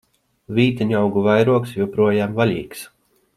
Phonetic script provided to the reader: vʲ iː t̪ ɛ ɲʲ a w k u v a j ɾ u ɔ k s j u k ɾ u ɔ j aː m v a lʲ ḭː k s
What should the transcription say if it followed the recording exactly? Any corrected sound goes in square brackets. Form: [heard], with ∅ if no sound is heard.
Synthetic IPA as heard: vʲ iː t̪ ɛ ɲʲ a w [ɡ] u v a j ɾ u ɔ k s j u [p] ɾ u ɔ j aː m v a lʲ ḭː k s